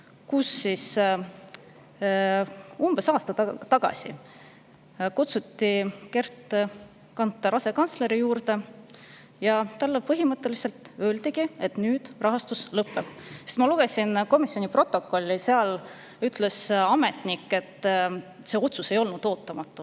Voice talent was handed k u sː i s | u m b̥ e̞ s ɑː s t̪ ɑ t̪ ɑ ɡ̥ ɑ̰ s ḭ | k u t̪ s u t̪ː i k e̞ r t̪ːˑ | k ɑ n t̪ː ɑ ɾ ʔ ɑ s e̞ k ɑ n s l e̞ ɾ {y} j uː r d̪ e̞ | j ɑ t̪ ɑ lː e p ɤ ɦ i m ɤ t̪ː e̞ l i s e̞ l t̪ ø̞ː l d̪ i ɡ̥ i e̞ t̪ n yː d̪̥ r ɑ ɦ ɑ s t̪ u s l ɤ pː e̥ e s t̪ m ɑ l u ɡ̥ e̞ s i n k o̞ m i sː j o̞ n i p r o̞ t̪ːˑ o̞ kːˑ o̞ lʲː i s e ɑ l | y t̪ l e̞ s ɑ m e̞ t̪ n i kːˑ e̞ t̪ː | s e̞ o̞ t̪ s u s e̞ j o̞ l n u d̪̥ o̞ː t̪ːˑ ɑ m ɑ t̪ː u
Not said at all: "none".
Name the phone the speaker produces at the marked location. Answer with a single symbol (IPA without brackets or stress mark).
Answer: i